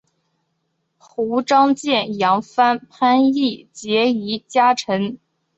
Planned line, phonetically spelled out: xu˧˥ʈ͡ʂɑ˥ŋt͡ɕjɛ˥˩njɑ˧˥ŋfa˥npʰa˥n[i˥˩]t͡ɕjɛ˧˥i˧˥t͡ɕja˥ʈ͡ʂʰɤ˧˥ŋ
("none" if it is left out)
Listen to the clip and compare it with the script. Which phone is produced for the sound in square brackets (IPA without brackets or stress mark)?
i˥˩